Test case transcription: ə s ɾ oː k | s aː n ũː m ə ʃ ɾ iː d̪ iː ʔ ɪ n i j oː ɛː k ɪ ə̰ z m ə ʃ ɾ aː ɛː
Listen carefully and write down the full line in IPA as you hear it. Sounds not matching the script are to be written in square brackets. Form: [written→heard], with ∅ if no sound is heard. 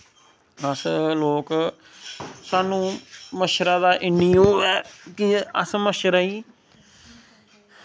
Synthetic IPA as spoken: ə s [ɾ→l] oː k | s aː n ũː m ə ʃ ɾ [iː→aː] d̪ [iː→aː] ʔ ɪ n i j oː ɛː k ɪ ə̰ [z→s] m ə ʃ ɾ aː [ɛː→iː]